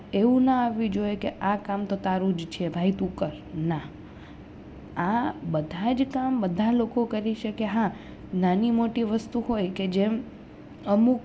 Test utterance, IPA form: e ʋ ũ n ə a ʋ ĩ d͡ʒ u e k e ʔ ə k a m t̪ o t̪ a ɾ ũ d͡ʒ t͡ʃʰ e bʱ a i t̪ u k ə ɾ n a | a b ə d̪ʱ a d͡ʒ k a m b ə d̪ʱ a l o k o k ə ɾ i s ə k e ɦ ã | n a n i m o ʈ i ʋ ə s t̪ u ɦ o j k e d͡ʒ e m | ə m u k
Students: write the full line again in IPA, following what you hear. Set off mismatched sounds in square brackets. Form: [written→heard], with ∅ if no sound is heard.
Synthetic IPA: e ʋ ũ n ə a ʋ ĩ d͡ʒ [u→o] e k e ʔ [ə→a] k a m t̪ o t̪ a ɾ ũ d͡ʒ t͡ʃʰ e bʱ a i t̪ u k ə ɾ n a | a b ə d̪ʱ a d͡ʒ k a m b ə d̪ʱ a l o k o k ə ɾ i [s→ʃ] ə k e ɦ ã | n a n i m o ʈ i ʋ ə s t̪ u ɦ o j k e d͡ʒ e m | ə m u k